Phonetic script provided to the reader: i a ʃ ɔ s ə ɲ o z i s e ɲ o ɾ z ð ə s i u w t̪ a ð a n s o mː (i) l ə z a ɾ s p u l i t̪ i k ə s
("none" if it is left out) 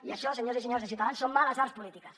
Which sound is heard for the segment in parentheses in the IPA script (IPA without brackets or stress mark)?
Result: a